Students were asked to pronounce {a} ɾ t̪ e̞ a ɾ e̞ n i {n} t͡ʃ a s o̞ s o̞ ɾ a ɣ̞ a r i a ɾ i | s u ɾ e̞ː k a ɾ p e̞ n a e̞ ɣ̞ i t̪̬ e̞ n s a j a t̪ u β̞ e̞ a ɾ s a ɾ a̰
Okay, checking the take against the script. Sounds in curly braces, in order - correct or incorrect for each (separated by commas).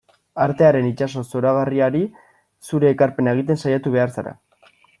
correct, incorrect